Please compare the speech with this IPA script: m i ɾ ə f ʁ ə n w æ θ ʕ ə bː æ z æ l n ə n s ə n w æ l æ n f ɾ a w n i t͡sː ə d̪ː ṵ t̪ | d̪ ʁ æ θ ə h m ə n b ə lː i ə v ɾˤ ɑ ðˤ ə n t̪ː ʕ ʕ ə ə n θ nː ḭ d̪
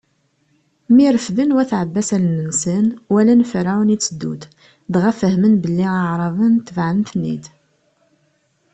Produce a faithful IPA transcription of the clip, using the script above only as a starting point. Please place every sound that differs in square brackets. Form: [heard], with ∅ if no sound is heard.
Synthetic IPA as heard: m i ɾ ə f [ð] ə n w æ θ ʕ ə bː æ [s] æ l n ə n s ə n w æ l æ n f ɾ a w n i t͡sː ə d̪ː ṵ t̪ | d̪ ʁ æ [f] ə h m ə n b ə lː i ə [ʕ] ɾˤ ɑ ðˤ ə n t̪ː [v] ʕ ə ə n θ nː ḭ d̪